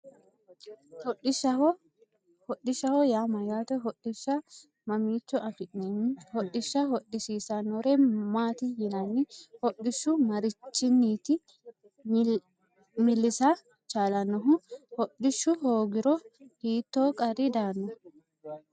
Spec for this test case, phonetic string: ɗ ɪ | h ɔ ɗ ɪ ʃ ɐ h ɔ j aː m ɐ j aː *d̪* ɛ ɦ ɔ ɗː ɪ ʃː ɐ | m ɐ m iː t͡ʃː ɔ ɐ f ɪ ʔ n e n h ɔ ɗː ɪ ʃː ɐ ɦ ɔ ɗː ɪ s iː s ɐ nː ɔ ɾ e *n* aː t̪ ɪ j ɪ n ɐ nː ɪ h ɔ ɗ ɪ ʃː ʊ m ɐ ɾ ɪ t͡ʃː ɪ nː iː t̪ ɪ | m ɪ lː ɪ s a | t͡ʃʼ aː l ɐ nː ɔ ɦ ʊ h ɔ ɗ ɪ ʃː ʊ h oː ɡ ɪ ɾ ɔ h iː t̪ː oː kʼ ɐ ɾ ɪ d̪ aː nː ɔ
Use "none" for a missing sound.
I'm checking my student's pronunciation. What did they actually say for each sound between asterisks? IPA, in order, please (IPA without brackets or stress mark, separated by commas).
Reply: t̪, m